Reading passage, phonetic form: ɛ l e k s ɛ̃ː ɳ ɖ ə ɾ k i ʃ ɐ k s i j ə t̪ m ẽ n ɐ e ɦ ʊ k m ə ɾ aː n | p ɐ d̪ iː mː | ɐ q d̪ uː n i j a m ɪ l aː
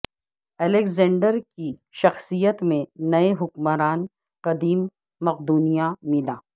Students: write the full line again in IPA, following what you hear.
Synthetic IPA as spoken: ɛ l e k z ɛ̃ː ɳ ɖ ə ɾ k i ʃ ɐ x s i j ə t̪ m ẽ n ɐ e ɦ ʊ k m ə ɾ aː n | q ɐ d̪ iː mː | ɐ q d̪ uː n i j a m ɪ l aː